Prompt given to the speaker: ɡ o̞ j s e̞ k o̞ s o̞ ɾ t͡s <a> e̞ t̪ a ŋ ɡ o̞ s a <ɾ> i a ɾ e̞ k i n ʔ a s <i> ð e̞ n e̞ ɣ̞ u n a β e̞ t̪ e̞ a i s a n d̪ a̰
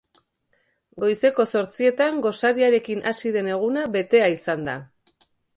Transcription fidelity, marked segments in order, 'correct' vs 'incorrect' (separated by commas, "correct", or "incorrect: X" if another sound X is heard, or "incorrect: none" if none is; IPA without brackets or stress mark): incorrect: i, correct, correct